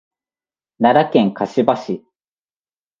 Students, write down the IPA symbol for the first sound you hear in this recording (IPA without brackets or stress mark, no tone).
n